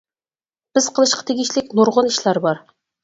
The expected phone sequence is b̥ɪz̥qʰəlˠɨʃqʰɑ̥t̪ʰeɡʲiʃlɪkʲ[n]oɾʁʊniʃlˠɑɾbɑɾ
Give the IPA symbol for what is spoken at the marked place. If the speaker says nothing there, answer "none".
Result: n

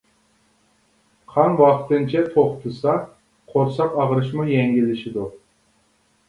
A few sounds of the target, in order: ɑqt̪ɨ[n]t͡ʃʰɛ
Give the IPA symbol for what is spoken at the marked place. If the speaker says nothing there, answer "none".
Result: n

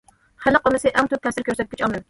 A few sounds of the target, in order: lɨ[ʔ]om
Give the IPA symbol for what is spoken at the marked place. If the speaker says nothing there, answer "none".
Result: q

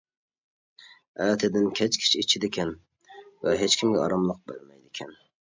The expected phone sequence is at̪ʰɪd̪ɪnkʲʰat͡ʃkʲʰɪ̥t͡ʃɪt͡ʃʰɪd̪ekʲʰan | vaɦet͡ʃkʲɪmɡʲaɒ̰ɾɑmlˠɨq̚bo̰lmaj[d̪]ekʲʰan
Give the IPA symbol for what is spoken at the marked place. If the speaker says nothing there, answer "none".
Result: d̪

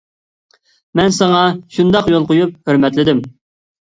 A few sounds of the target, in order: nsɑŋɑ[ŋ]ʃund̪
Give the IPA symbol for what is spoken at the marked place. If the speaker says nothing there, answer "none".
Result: none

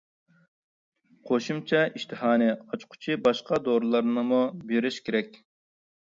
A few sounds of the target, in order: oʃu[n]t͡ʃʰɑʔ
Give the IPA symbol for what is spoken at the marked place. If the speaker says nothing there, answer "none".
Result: m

